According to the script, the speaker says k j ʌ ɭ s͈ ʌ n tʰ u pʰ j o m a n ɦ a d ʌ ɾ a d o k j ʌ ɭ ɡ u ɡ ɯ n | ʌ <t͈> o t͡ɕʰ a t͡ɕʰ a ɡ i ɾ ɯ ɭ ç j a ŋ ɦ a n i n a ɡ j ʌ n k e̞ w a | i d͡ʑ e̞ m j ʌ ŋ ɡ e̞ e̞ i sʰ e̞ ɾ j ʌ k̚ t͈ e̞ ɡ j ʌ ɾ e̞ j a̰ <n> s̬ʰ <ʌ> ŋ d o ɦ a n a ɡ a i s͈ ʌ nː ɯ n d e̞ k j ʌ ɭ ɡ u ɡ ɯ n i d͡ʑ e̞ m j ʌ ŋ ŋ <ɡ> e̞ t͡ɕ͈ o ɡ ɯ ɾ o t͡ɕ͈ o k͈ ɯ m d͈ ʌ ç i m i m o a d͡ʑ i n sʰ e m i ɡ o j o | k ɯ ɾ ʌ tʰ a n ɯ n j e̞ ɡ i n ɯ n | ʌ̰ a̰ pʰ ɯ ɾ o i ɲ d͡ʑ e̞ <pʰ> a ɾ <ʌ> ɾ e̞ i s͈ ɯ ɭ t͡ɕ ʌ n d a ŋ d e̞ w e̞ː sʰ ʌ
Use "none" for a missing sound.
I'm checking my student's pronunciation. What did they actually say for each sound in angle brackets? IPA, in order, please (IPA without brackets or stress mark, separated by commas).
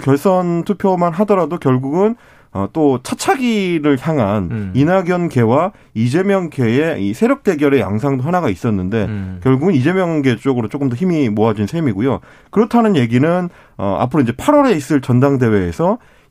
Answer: t͈, ŋ, a, ɡ, pʰ, ʌ